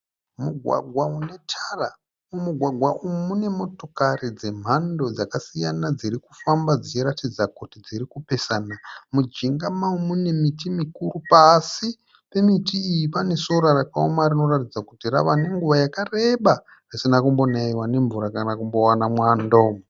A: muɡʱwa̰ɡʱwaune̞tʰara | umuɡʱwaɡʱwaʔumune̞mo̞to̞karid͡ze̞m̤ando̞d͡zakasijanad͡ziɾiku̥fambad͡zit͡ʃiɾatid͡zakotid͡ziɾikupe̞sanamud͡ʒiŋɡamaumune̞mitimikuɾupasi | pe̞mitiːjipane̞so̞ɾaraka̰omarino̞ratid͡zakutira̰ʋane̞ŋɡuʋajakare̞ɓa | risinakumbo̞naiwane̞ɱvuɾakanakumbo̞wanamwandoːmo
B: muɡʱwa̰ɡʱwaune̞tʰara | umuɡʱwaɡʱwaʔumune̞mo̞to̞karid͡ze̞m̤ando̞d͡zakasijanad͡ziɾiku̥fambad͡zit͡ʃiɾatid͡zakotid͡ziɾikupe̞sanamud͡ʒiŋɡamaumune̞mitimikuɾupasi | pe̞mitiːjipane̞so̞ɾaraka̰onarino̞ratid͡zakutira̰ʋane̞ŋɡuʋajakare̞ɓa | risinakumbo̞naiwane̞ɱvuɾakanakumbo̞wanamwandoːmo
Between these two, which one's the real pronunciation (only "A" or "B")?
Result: A